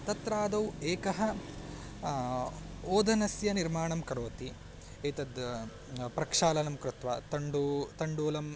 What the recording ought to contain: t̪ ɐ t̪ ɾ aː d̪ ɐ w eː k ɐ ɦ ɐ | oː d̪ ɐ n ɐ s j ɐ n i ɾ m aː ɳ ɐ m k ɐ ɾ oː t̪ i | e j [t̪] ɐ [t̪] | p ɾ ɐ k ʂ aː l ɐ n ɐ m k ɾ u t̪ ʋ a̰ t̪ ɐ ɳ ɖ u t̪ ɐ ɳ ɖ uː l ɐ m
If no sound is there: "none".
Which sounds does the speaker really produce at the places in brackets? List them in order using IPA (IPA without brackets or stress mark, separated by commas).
t̪, d̪